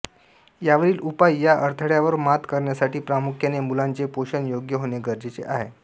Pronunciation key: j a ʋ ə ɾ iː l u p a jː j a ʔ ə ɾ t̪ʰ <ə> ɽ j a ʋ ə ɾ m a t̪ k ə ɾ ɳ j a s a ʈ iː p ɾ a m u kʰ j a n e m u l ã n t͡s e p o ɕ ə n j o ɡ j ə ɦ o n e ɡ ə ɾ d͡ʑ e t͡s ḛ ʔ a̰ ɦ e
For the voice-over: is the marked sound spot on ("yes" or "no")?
yes